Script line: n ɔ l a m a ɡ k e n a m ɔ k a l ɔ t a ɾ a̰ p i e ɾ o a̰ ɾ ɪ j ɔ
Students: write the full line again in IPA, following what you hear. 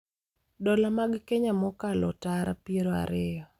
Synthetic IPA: d ɔ l a m a ɡ k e ɲ a m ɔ k a l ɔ t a ɾ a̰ p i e ɾ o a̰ ɾ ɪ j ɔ

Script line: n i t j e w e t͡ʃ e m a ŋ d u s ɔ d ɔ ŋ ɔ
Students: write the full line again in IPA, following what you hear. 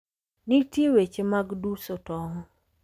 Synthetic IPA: n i t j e w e t͡ʃ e m a ɡ d u s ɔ t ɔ ŋ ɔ

